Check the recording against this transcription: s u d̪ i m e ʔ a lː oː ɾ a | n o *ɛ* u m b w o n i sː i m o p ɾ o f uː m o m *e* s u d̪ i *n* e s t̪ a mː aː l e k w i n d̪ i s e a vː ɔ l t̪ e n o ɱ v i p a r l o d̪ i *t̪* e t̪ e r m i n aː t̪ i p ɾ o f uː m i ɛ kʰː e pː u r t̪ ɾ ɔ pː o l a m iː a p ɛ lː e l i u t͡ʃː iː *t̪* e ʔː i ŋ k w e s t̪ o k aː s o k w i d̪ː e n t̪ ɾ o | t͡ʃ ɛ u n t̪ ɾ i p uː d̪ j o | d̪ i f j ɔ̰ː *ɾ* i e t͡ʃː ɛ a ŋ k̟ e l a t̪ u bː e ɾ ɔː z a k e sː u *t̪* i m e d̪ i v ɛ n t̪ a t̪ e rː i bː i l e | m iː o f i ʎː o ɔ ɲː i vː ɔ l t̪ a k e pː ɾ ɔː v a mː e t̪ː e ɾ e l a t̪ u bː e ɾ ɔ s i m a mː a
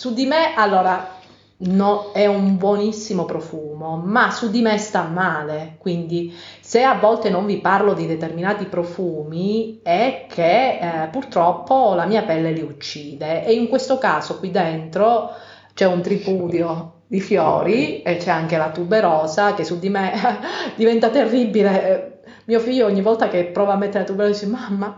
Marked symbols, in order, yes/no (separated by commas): yes, no, no, no, no, yes, no